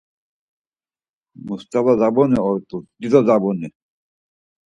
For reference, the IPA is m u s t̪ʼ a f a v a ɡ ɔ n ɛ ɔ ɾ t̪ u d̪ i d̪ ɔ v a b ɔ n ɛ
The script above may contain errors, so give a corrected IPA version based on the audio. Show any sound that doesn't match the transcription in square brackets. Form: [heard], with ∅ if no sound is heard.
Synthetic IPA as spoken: m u s [t̪] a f a [z] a [b] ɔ n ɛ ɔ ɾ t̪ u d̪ i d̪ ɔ [z] a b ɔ n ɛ